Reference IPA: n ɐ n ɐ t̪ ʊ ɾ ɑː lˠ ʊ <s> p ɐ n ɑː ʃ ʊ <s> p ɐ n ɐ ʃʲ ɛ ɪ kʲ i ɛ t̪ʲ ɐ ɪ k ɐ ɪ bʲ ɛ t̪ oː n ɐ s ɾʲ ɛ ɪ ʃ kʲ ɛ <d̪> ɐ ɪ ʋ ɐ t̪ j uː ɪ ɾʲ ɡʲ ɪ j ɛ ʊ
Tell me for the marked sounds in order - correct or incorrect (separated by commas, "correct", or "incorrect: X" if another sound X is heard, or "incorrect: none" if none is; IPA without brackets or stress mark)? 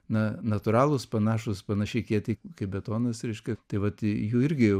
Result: correct, correct, incorrect: t̪